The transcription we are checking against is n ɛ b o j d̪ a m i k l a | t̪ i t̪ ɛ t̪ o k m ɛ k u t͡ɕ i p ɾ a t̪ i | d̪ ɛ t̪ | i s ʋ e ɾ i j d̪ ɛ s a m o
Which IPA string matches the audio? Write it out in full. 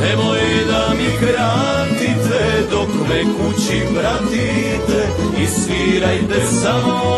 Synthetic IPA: n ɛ m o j d̪ a m i k ɾ a | t̪ i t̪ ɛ d̪ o k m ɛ k u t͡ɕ i p ɾ a t̪ i | t̪ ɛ | i s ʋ i ɾ a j t̪ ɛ s a m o